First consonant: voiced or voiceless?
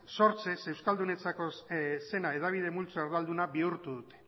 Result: voiceless